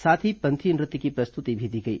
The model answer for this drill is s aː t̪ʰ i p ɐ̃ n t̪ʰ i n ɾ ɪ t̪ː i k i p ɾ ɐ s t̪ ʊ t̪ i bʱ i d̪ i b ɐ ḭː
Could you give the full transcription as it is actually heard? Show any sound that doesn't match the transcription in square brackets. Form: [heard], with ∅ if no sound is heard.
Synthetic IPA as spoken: s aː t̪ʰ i p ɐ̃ n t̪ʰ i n ɾ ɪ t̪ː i k i p ɾ ɐ s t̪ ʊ t̪ i bʱ i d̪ i [ɡ] ɐ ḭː